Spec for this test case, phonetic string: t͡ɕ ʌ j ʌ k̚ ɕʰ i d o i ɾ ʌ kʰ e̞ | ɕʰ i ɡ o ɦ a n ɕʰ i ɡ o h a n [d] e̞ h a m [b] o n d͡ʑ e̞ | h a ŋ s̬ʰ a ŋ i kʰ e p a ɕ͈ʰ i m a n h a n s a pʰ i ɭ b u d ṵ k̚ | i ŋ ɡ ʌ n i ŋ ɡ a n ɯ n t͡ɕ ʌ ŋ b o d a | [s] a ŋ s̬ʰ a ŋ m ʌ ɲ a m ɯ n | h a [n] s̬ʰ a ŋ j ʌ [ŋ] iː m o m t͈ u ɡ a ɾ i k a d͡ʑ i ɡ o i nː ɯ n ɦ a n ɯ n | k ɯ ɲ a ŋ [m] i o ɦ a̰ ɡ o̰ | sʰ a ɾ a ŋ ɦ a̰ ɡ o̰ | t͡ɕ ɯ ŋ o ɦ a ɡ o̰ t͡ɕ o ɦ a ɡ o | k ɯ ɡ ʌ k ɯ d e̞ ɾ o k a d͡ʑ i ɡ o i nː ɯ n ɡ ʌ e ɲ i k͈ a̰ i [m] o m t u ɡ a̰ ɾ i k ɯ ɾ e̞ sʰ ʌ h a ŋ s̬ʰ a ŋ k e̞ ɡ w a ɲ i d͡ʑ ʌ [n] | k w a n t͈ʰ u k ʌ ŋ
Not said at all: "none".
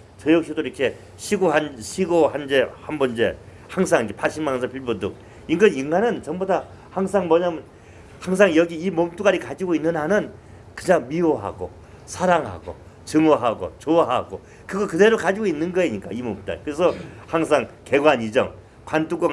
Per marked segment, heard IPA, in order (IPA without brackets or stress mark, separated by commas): d͡ʑ, b, h, ŋ, ɡ, m, m, ŋ